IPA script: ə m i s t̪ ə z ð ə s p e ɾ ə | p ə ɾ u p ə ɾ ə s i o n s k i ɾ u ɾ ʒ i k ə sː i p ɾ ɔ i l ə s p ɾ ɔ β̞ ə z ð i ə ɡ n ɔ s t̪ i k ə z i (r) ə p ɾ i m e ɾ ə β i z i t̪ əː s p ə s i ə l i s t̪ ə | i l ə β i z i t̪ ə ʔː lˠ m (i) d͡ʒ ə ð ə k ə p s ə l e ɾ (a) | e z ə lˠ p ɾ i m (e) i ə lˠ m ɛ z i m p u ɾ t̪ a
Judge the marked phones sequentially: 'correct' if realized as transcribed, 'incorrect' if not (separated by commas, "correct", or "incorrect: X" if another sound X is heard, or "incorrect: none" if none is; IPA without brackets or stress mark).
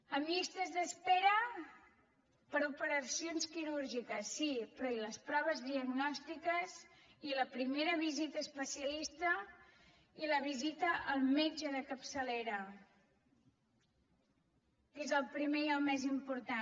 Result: incorrect: l, incorrect: e, incorrect: ə, correct